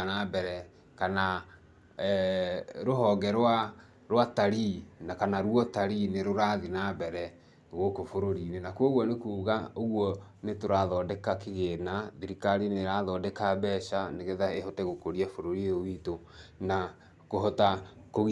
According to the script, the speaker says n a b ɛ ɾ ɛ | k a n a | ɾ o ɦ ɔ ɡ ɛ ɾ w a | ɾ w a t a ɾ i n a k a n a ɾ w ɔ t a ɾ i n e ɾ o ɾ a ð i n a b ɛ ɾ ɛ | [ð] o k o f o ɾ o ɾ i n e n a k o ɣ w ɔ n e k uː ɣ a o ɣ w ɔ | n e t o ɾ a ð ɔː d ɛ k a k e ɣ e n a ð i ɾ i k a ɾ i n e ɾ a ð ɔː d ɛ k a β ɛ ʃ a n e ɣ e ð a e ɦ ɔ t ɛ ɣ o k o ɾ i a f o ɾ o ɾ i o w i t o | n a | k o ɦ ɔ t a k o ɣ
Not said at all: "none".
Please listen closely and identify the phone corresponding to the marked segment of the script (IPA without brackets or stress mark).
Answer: ɣ